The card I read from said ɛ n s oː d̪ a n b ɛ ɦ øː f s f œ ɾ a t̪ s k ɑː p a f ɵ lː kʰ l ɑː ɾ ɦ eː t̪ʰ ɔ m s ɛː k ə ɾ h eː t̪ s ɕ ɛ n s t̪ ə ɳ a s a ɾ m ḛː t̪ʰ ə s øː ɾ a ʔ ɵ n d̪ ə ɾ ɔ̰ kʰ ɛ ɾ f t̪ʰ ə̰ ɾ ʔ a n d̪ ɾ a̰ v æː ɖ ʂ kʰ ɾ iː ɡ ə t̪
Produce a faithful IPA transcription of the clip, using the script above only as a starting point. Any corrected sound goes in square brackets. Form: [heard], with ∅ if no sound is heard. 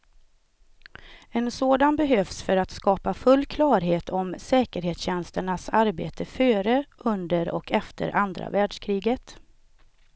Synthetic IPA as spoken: ɛ n s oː d̪ a n b ɛ ɦ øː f s f œ ɾ a t̪ s k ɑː p a f ɵ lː kʰ l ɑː ɾ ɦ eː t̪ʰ ɔ m s ɛː k ə ɾ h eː t̪ s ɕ ɛ n s t̪ ə ɳ a s a ɾ [b] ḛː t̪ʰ ə [f] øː ɾ [ə] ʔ ɵ n d̪ ə ɾ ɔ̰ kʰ ɛ [∅] f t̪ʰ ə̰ ɾ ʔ a n d̪ ɾ a̰ v æː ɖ ʂ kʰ ɾ iː ɡ ə t̪